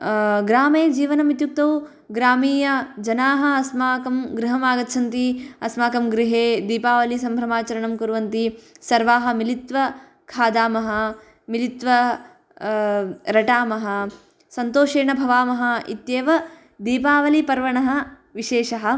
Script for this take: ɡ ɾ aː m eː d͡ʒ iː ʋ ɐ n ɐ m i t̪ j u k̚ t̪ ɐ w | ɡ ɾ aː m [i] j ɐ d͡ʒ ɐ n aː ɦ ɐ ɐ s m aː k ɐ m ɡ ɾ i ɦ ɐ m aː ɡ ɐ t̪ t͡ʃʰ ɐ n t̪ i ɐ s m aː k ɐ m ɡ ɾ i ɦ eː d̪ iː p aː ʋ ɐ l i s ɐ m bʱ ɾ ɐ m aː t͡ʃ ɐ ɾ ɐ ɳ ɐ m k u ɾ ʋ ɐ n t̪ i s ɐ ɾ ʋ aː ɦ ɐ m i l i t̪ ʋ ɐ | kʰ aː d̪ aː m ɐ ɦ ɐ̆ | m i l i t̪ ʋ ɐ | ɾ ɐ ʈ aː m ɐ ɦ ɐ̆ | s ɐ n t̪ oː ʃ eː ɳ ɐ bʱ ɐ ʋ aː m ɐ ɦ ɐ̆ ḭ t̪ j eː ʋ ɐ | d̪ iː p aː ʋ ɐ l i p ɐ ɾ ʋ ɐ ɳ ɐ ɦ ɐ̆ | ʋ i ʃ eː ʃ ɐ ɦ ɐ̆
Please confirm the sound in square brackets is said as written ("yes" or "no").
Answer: no